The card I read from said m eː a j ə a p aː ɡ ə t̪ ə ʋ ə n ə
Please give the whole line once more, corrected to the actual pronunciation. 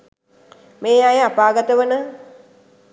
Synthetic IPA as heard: m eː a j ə a p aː ɡ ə t̪ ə ʋ ə n ə